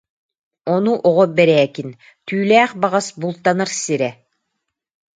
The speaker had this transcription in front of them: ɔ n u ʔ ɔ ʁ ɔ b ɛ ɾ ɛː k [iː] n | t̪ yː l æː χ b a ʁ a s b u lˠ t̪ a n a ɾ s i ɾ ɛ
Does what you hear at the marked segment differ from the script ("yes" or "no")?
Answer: yes